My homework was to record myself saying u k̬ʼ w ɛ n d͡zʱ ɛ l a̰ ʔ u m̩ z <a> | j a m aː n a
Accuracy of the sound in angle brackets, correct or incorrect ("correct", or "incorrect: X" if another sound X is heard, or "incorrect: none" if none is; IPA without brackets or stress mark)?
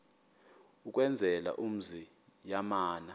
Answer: incorrect: i